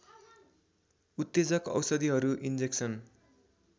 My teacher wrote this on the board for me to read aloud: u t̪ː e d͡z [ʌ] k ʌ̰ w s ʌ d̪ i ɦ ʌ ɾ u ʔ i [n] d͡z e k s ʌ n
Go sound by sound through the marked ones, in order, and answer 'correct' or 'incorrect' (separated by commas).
correct, correct